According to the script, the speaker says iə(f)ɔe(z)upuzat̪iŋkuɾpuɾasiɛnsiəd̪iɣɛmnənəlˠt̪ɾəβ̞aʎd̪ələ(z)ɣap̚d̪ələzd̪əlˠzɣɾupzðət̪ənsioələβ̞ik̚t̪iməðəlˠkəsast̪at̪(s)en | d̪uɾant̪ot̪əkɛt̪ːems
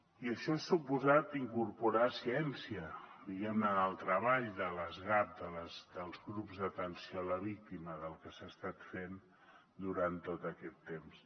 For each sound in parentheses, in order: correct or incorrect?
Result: incorrect, incorrect, correct, incorrect

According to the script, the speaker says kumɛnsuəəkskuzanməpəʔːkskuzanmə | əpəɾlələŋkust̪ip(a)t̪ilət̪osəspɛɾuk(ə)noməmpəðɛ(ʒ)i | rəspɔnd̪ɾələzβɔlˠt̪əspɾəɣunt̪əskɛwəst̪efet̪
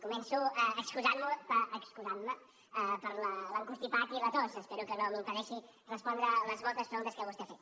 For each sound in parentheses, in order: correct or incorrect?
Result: correct, correct, incorrect

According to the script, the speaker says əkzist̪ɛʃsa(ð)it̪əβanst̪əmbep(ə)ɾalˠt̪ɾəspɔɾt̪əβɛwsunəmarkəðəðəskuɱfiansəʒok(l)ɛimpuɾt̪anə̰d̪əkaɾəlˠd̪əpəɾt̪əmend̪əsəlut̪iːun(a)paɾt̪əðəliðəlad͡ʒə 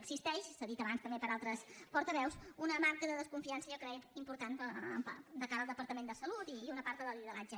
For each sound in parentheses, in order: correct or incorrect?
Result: correct, correct, incorrect, incorrect

